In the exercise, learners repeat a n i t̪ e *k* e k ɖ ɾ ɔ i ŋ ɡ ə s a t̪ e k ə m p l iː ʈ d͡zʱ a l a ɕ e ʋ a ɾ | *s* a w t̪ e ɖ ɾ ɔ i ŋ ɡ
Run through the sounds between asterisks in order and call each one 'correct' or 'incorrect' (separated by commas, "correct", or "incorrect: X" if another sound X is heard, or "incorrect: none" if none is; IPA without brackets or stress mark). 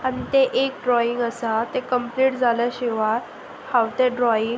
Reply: incorrect: ʔ, incorrect: h